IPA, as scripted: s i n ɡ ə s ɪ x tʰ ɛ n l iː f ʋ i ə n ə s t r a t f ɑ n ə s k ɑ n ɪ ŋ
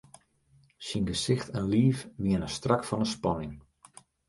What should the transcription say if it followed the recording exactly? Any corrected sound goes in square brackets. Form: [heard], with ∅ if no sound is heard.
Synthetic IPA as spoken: s i n ɡ ə s ɪ x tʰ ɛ n l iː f ʋ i ə n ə s t r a [k] f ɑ n ə s [p] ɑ n ɪ ŋ